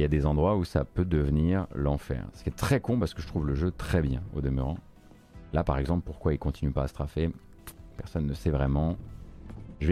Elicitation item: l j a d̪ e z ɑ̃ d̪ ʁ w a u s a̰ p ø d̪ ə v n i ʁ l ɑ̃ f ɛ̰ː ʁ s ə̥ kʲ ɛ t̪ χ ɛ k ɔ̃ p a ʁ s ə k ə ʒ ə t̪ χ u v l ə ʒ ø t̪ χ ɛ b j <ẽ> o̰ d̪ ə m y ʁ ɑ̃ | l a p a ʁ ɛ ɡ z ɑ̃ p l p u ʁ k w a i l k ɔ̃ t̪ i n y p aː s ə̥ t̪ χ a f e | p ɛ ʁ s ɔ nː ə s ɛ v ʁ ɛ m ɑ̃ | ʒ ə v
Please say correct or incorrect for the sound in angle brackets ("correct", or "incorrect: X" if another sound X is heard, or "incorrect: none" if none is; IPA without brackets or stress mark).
incorrect: ɛ̃